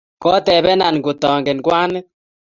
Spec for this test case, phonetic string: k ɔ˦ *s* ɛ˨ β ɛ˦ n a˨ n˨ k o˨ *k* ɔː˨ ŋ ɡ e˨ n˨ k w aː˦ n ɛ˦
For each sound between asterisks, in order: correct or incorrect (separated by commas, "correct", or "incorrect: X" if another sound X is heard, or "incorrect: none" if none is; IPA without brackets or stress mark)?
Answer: incorrect: t, incorrect: t